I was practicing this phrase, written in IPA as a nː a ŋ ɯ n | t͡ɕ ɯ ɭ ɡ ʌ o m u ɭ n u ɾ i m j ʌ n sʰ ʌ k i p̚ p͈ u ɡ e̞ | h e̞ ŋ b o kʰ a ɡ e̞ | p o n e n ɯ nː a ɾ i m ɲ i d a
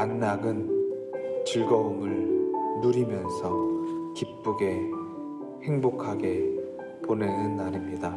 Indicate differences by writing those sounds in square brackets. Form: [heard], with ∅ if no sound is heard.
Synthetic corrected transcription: a nː a [ɡ] ɯ n | t͡ɕ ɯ ɭ ɡ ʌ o m [ɯ] ɭ n u ɾ i m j ʌ n sʰ ʌ k i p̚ p͈ u ɡ e̞ | h e̞ ŋ b o kʰ a ɡ e̞ | p o n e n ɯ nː a ɾ i m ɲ i d a